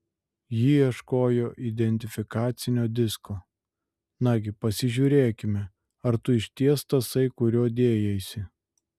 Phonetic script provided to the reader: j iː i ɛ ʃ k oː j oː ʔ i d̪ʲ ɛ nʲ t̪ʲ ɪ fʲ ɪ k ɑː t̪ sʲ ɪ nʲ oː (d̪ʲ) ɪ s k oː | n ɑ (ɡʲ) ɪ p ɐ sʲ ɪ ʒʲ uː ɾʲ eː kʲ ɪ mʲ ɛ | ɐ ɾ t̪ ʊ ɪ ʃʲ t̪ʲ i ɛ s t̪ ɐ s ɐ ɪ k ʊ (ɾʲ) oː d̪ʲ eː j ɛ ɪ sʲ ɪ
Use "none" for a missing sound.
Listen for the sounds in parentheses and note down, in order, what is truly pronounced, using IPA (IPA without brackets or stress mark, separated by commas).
d̪ʲ, ɡʲ, ɾʲ